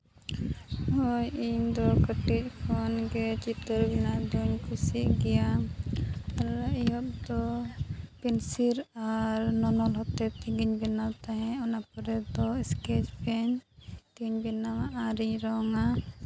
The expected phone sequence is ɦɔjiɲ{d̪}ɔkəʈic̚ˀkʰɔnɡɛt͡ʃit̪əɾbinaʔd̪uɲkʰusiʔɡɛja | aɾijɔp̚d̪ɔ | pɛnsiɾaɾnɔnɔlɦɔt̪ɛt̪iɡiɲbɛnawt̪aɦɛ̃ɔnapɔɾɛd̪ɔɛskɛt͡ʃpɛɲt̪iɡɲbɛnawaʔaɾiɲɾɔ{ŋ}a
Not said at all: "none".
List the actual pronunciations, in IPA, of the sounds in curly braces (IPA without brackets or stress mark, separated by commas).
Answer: d̪, ŋ